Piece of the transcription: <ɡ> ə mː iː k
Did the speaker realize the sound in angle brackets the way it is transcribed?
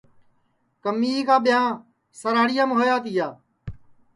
no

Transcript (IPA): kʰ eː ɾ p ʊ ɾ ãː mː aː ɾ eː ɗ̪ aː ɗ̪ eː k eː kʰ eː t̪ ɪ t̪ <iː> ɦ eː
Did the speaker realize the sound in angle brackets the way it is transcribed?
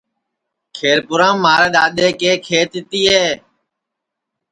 yes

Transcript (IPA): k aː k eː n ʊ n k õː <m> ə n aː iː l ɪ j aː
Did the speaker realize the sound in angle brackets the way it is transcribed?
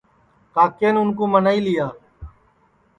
yes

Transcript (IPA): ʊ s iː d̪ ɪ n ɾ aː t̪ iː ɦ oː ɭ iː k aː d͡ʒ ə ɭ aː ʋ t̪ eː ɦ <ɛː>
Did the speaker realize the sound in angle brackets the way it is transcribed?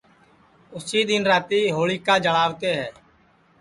yes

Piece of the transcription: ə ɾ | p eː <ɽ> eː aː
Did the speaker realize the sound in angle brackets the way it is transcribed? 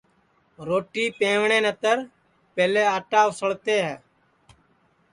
no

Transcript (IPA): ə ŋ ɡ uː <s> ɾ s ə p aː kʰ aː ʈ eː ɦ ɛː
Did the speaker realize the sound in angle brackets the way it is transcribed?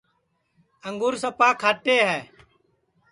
no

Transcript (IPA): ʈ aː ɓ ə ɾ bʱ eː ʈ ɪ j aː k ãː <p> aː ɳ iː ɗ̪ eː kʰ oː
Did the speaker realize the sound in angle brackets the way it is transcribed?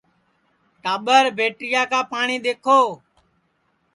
yes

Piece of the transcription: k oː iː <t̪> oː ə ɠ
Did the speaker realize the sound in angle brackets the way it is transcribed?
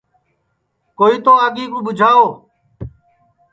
yes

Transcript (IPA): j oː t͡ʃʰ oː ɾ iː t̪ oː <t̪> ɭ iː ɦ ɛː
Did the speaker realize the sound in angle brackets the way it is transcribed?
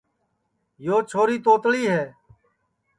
yes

